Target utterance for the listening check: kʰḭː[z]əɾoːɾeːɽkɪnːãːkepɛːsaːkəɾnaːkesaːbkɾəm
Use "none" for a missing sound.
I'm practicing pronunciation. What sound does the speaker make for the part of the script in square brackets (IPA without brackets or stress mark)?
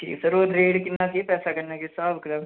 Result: s